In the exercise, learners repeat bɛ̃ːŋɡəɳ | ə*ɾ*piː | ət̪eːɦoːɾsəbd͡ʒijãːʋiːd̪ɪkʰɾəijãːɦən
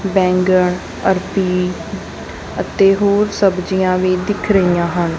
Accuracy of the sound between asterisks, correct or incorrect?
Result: correct